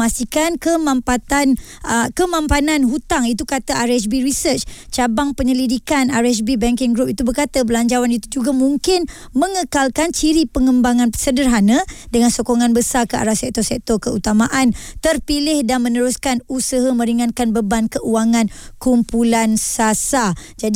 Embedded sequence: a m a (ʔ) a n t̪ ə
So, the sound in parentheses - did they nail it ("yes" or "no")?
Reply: yes